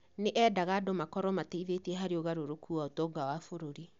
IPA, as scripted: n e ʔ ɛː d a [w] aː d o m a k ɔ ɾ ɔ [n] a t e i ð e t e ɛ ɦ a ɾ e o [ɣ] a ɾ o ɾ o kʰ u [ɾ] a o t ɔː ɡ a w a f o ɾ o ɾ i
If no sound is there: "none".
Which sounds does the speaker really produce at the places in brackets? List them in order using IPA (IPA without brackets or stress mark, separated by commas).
ɣ, m, ɣ, none